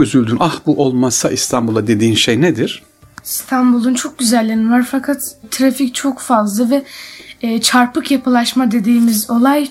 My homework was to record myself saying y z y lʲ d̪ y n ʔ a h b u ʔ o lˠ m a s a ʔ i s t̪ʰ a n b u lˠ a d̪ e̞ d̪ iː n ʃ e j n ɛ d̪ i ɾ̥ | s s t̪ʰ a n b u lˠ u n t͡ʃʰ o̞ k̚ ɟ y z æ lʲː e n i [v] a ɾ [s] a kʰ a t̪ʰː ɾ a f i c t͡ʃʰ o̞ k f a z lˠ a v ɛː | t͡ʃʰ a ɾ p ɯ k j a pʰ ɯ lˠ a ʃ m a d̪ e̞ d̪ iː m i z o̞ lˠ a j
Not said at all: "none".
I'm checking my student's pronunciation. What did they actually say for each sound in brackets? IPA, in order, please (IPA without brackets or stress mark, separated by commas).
v, f